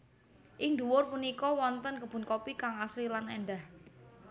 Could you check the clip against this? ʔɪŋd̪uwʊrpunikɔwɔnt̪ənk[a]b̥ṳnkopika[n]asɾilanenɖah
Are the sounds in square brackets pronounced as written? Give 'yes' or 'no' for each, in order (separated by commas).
no, no